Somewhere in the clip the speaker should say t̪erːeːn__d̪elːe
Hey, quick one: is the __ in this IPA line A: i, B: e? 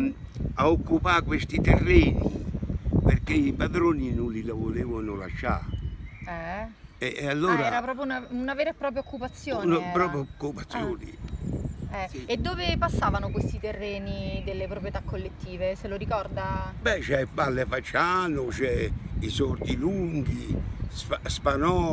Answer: A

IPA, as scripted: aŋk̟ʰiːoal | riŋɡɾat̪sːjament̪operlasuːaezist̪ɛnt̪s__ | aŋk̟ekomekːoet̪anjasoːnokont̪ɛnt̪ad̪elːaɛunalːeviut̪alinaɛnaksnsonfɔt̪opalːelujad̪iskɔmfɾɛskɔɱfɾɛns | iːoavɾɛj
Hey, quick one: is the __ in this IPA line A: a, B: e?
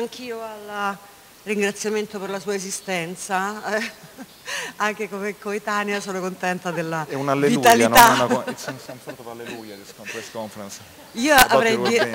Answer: A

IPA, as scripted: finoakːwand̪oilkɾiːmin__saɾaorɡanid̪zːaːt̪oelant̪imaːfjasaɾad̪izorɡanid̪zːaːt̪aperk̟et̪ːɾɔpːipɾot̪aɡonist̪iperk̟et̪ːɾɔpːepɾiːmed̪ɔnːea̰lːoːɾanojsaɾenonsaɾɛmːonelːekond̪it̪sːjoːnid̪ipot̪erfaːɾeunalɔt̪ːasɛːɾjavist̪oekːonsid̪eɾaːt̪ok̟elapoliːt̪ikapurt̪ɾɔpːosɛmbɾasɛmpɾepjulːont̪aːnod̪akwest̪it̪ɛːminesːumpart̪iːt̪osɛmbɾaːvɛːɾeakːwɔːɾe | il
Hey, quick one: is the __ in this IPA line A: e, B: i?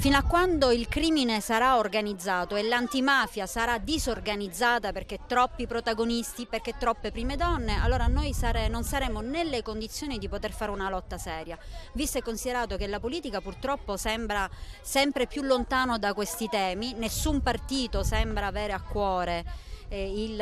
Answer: A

